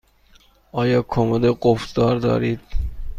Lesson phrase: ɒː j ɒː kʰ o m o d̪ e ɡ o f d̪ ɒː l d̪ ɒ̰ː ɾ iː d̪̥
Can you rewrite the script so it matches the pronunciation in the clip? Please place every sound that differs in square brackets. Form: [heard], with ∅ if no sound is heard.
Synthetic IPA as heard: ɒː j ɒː kʰ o m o d̪ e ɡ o f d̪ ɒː [ɾ] d̪ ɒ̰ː ɾ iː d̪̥